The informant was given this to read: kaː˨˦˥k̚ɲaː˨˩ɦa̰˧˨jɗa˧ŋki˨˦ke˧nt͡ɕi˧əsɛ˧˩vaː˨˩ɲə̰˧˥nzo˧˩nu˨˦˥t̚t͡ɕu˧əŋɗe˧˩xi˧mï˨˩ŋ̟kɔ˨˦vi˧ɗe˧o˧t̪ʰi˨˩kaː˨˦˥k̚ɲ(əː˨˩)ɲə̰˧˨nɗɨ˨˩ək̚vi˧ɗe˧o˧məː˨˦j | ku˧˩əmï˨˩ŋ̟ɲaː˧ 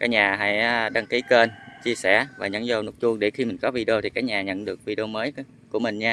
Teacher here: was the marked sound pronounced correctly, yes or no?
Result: no